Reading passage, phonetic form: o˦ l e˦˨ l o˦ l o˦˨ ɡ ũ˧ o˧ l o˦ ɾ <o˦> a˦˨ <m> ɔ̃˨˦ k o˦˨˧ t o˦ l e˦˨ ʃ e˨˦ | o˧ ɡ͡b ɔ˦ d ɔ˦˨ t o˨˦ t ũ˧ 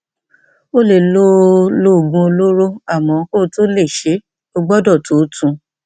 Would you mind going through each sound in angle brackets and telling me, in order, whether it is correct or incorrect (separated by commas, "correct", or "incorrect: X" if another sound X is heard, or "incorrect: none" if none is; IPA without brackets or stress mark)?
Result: correct, correct